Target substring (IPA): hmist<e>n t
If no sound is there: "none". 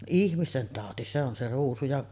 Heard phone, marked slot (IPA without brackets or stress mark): e